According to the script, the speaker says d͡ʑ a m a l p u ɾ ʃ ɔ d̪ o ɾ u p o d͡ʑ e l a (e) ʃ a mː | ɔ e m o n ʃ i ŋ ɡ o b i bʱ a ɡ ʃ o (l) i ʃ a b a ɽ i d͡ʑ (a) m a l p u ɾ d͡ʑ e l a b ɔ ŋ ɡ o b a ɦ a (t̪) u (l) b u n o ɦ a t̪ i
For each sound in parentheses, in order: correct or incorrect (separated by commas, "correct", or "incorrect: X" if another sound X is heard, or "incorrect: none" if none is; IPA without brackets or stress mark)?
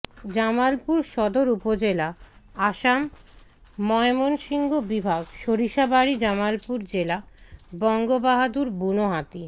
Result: incorrect: a, incorrect: ɾ, correct, incorrect: d̪, incorrect: ɾ